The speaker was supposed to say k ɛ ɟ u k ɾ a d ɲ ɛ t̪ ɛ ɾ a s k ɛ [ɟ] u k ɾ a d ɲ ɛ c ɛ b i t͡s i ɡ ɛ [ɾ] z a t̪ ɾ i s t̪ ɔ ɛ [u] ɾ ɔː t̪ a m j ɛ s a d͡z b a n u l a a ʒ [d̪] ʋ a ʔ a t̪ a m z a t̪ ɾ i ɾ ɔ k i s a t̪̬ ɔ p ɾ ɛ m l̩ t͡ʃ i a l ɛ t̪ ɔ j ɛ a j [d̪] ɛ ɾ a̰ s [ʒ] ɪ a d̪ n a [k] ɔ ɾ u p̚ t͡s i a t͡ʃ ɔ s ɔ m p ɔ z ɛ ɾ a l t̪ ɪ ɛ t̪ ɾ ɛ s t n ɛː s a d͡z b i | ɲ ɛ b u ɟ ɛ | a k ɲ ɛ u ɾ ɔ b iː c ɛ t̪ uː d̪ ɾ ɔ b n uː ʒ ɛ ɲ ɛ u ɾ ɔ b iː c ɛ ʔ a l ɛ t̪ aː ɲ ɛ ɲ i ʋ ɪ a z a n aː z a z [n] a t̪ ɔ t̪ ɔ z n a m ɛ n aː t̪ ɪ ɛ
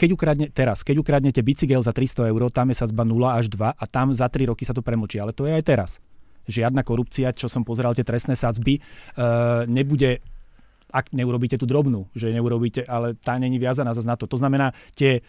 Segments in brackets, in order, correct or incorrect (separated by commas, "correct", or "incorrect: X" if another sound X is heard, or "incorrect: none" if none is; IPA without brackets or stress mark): correct, incorrect: l, incorrect: ʊ, correct, incorrect: t̪, correct, correct, correct